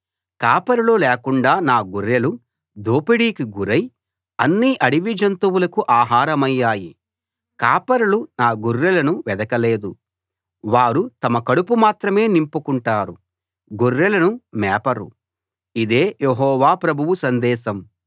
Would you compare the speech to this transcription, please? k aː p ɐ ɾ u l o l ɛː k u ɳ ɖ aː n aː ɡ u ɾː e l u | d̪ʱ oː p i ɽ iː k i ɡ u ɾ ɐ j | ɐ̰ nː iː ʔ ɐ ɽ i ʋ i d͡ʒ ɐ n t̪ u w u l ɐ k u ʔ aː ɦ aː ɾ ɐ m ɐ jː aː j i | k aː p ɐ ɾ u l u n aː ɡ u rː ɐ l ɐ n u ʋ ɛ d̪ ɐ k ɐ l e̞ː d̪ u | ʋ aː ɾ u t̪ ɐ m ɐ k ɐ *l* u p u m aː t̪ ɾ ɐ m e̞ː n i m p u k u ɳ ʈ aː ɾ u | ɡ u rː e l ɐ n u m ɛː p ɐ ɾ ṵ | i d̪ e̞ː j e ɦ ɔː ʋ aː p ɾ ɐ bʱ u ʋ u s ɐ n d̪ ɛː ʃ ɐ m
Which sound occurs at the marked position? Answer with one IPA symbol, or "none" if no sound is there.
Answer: ɽ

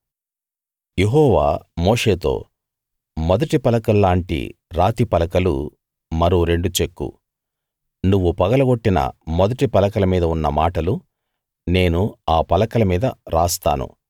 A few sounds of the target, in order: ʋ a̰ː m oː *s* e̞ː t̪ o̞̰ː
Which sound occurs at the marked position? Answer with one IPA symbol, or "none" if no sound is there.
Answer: ʂ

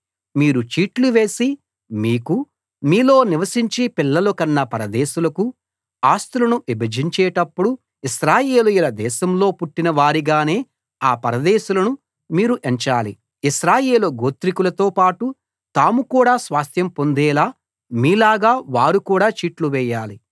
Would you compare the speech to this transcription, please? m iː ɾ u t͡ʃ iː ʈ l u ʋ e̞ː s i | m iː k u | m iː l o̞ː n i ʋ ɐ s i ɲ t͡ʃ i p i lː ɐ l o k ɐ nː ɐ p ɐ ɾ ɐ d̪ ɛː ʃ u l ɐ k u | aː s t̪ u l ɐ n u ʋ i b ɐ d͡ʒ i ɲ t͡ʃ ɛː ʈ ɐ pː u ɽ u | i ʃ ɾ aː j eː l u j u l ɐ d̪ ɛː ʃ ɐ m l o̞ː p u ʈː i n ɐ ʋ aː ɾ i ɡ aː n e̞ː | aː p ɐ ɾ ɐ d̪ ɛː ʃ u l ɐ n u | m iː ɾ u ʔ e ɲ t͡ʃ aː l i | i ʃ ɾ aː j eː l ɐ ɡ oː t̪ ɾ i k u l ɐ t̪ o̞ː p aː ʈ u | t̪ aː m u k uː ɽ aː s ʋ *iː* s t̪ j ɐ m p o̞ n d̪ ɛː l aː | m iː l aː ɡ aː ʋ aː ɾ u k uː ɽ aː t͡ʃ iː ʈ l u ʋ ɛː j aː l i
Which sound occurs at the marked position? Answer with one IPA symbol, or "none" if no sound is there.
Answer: aː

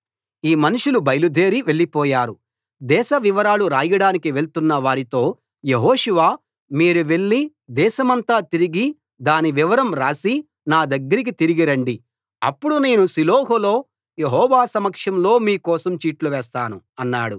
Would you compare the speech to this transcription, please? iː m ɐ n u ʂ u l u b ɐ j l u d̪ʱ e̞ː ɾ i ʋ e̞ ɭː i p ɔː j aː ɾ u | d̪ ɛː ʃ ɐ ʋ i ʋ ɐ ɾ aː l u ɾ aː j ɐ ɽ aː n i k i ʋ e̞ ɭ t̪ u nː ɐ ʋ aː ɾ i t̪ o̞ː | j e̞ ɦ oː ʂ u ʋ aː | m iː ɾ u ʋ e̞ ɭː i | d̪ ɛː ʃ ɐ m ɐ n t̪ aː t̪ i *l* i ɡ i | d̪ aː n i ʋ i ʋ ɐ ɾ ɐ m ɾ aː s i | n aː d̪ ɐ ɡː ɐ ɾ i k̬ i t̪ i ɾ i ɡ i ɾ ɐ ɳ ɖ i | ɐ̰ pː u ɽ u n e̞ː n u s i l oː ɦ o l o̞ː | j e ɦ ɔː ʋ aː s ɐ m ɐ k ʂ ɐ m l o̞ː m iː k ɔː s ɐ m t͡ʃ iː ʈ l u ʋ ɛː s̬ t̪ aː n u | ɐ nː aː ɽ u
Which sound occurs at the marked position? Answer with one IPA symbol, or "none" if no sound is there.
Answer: ɾ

